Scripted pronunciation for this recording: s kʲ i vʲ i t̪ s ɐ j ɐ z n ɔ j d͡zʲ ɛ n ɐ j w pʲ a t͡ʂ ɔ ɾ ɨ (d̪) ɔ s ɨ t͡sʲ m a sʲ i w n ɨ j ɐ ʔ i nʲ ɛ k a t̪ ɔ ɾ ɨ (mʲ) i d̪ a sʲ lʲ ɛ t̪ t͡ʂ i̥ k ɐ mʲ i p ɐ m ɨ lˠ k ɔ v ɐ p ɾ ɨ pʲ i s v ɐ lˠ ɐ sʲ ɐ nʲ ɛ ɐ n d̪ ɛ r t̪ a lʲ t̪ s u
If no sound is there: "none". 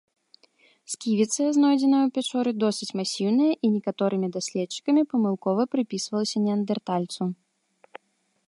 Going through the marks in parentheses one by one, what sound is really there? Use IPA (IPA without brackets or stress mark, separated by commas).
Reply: d̪, mʲ